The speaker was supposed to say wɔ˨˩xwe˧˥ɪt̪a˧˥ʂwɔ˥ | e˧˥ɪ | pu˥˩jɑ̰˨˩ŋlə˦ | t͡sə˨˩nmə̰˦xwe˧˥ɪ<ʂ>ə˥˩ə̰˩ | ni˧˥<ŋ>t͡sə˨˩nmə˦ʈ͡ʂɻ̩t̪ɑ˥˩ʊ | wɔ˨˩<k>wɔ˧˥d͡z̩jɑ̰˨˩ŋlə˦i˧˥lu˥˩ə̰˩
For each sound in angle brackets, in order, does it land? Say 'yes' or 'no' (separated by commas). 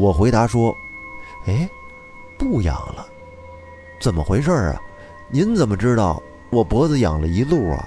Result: yes, no, no